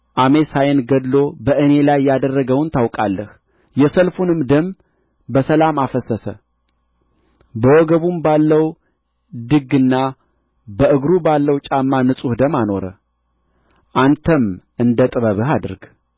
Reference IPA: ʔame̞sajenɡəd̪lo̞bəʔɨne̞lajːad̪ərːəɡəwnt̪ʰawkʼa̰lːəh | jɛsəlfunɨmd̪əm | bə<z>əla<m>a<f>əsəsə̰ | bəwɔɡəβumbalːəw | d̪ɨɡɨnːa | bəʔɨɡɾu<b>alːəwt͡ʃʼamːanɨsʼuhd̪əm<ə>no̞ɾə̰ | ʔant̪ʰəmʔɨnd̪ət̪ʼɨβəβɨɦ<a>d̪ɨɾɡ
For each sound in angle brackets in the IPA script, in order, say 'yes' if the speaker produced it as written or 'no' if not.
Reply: no, yes, yes, yes, no, yes

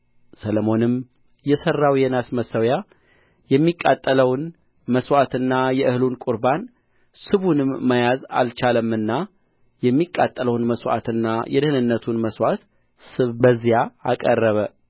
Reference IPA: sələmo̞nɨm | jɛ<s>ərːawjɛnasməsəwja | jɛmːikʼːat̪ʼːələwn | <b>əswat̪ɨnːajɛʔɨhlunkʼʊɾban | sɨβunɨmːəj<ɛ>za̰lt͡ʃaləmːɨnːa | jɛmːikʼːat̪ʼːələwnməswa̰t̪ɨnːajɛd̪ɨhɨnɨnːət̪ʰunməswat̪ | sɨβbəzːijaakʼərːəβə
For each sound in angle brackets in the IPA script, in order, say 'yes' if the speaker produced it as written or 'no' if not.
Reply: yes, no, no

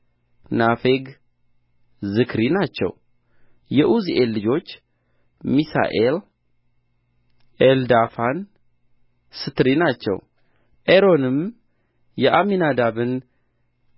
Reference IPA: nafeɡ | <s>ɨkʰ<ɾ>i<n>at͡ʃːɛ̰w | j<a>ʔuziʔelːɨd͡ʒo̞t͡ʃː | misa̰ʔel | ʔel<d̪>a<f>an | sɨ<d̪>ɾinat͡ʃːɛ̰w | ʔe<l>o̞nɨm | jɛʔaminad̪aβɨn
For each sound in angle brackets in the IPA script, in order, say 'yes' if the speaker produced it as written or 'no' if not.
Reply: no, yes, yes, no, yes, yes, no, no

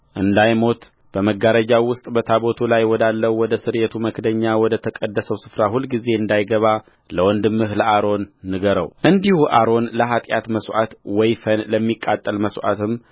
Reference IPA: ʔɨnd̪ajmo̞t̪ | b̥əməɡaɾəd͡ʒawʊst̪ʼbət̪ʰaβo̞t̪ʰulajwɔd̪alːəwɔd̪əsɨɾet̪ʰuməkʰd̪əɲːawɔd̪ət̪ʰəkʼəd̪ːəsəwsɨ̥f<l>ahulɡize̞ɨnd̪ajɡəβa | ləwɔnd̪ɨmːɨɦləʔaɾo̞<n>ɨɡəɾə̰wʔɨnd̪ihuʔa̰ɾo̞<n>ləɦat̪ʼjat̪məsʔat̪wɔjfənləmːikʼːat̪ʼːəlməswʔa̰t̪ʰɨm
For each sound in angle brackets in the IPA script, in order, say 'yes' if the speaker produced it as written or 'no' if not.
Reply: no, no, yes

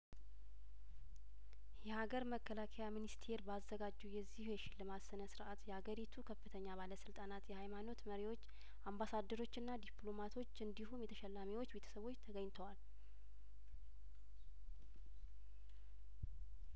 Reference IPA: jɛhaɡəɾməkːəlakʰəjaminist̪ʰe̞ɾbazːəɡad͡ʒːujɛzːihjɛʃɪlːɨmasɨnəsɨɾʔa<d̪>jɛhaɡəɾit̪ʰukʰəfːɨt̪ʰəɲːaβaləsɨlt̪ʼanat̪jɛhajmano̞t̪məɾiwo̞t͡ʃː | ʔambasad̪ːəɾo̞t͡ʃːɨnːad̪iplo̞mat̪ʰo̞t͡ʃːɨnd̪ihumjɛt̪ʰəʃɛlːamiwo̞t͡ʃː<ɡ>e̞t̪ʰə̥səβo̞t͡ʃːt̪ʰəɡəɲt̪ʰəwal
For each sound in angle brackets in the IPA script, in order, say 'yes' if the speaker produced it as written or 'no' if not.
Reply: no, no

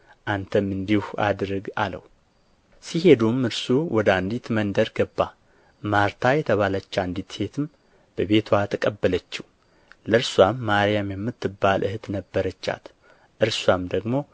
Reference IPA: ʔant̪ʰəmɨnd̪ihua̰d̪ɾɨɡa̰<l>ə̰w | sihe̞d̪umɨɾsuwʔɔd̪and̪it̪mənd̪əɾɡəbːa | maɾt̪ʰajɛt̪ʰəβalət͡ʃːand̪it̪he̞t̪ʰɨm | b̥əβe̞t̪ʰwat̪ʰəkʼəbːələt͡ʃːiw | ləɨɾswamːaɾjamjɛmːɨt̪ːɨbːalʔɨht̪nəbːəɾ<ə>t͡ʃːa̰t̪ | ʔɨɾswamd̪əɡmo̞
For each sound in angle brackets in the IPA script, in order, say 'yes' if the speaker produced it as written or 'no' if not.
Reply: yes, yes

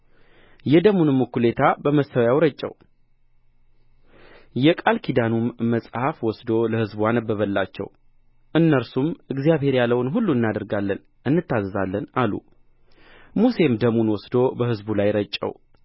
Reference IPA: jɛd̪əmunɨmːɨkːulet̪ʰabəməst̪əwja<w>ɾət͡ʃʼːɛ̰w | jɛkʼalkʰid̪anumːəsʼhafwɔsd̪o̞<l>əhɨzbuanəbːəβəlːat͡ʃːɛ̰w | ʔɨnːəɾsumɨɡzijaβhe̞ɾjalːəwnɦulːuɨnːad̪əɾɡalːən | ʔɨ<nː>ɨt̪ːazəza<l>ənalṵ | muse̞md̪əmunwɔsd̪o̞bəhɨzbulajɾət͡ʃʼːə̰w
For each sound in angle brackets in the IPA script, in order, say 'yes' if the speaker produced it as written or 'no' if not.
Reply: yes, yes, yes, no

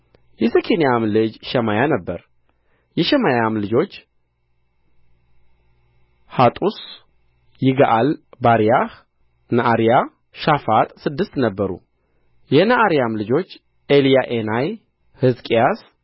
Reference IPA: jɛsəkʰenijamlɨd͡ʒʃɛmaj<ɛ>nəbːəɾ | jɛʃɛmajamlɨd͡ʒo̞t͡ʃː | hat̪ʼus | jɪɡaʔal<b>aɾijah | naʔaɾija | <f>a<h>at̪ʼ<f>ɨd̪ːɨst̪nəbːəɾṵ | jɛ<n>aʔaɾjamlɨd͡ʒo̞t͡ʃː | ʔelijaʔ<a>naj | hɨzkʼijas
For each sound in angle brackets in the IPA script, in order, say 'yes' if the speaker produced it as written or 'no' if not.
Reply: no, yes, no, no, no, yes, no

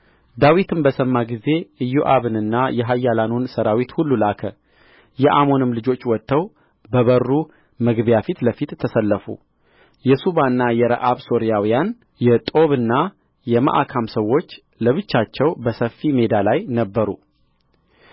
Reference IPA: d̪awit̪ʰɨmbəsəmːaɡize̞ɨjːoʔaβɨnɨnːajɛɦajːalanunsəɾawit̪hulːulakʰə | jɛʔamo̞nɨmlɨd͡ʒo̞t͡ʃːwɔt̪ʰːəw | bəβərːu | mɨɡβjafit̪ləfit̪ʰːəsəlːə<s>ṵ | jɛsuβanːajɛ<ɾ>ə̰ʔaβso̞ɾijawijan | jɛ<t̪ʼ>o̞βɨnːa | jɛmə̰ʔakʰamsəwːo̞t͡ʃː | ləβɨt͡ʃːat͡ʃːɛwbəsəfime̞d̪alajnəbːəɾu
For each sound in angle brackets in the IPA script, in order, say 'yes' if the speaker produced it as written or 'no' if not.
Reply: no, yes, yes

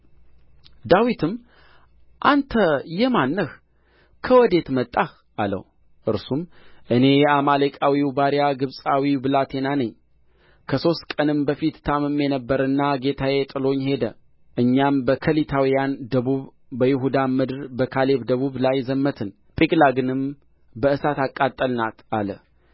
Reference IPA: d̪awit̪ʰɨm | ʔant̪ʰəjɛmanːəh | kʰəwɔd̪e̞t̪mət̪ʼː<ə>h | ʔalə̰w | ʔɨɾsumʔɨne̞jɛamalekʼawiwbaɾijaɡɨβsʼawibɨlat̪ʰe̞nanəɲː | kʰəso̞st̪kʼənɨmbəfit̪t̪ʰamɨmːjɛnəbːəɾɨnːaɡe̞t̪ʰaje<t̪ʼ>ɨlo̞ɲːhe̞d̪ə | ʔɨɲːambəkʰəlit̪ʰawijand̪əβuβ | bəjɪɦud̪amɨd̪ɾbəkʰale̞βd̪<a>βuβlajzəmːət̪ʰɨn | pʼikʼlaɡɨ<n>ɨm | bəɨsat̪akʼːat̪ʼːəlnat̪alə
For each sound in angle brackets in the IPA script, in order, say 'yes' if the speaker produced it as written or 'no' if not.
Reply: no, yes, no, yes

